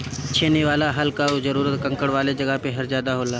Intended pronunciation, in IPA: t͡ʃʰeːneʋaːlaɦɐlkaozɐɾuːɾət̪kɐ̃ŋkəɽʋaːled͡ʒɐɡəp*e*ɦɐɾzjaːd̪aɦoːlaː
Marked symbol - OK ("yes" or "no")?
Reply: yes